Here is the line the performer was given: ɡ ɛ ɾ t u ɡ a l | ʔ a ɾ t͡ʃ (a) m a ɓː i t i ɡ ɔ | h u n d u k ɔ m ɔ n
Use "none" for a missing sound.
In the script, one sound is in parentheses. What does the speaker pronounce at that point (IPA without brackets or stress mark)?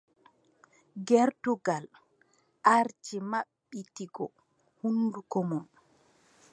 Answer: i